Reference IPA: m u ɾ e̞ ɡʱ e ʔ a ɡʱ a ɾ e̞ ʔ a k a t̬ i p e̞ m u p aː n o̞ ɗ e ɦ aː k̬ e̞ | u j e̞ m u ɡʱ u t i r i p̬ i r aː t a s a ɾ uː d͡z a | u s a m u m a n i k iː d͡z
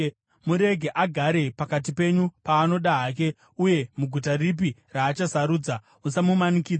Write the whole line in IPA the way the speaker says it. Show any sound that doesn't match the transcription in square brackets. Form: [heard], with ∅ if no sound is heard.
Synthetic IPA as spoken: m u ɾ e̞ ɡʱ e ʔ a ɡʱ a ɾ e̞ [p] a k a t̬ i p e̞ [ɲ] u p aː n o̞ ɗ [a] ɦ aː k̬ e̞ | u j e̞ m u ɡʱ u t [a] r i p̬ i r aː [t͡ʃ] a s a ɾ uː d͡z a | u s a m u m a n i k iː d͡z